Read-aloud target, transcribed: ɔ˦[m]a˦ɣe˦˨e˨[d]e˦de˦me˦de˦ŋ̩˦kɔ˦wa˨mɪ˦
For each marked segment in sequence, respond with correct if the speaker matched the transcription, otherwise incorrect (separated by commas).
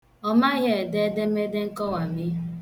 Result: correct, correct